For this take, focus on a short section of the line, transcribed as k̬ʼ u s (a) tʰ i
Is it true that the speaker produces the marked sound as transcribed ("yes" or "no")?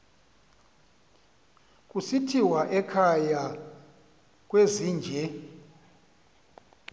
no